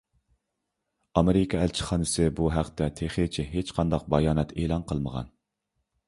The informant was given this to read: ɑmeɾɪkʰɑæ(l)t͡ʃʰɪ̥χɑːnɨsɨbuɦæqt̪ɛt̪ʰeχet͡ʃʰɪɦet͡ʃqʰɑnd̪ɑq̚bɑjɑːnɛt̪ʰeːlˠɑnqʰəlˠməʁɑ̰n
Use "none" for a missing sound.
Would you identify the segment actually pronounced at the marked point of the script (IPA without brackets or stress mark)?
l